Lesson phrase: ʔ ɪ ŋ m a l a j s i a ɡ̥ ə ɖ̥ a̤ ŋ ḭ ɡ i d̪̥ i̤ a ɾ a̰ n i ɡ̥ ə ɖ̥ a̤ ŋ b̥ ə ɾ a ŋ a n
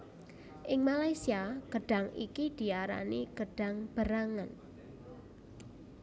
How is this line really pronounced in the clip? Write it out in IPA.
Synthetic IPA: ʔ ɪ ŋ m a l a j s i a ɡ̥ ə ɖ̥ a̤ ŋ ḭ k i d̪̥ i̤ a ɾ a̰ n i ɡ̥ ə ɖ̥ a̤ ŋ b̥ ə ɾ a ŋ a n